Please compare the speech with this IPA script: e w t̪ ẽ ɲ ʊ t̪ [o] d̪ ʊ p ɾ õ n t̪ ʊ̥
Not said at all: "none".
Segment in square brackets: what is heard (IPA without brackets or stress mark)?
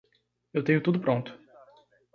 u